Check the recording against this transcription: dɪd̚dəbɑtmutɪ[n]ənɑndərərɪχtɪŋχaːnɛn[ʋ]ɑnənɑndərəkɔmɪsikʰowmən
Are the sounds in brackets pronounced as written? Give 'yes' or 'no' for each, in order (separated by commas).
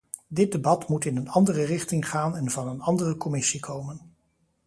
yes, no